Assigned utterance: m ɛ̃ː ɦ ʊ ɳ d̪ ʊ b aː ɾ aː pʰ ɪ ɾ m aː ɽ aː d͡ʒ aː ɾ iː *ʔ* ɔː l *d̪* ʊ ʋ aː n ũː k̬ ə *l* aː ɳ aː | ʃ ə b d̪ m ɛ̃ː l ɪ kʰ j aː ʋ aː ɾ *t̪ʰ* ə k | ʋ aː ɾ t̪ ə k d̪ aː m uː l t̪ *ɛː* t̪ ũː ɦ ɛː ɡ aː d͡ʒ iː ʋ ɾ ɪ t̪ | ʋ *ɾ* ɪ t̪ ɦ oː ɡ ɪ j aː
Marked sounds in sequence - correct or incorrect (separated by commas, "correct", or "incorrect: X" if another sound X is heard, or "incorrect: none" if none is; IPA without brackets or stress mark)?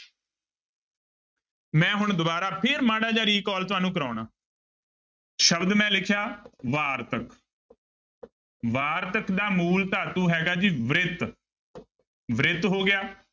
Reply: incorrect: k, incorrect: t̪, incorrect: ɾ, incorrect: t̪, incorrect: aː, correct